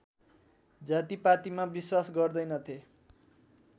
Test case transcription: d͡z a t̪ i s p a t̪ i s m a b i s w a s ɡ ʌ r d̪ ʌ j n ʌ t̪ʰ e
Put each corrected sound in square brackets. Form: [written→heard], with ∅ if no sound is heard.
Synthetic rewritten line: d͡z a t̪ i [s→∅] p a t̪ i [s→∅] m a b i s w a s ɡ ʌ r d̪ ʌ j n ʌ t̪ʰ e